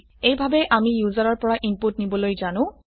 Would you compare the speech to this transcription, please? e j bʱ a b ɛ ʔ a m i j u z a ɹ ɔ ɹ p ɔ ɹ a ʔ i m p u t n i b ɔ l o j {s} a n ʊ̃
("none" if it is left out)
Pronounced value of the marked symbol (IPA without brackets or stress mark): z